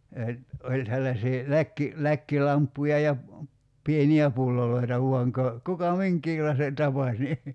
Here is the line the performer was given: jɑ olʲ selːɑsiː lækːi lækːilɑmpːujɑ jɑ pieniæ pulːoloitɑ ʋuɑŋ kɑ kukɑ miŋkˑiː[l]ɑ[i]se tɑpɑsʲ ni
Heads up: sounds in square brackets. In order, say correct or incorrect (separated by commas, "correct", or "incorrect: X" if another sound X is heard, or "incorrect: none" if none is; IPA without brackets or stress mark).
correct, correct